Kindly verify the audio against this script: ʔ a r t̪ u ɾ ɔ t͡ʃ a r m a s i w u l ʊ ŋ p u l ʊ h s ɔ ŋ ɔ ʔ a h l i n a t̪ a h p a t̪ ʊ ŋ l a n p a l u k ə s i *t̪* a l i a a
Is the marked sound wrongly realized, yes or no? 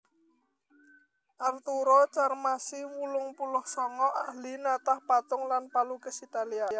no